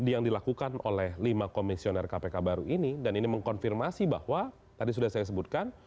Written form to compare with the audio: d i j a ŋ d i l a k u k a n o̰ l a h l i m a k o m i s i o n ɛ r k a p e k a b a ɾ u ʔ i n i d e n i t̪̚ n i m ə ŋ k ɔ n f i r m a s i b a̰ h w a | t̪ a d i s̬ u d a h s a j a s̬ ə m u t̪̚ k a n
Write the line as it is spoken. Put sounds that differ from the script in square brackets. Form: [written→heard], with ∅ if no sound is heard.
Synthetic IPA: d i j a ŋ d i l a k u k a n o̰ l [a→ɛ] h l i m a k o m i s i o n ɛ r k a p e k a b a ɾ u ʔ i n i d [e→a] n i [t̪̚→∅] n i m ə ŋ k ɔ n f i r m a s i b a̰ h w a | t̪ a d i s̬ u d a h s a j a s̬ ə [m→b] u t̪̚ k a n